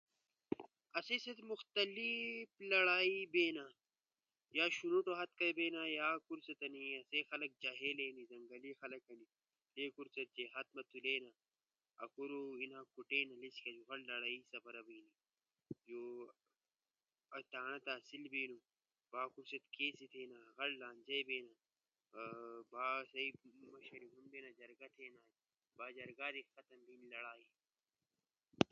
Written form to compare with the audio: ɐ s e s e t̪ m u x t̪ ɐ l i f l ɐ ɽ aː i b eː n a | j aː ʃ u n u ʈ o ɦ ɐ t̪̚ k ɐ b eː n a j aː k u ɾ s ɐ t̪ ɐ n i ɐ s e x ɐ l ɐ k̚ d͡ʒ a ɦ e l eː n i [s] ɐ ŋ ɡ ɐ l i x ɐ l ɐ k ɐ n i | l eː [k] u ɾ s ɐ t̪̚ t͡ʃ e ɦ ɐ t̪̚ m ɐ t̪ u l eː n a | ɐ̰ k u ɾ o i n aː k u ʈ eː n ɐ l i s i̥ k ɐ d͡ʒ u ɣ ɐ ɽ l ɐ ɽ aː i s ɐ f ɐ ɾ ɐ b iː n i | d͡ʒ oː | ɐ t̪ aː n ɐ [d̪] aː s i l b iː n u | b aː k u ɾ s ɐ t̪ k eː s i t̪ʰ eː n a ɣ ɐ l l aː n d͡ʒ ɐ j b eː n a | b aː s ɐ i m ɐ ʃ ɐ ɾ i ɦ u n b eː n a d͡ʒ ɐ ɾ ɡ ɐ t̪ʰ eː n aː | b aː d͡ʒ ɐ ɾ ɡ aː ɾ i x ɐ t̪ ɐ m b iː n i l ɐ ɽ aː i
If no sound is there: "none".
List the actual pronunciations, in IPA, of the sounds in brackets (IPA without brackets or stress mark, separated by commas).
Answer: z, k, t̪